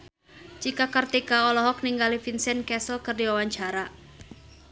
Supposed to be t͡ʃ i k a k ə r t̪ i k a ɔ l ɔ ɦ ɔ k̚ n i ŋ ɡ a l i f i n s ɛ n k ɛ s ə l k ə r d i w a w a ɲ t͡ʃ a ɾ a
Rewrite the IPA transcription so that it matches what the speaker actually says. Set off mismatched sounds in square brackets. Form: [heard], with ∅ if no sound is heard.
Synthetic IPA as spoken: t͡ʃ i k a k ə r t̪ i k a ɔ l ɔ ɦ ɔ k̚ n i ŋ ɡ a l i f i n s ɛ n k ɛ s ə l k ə r d i w a w a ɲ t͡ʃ a ɾ a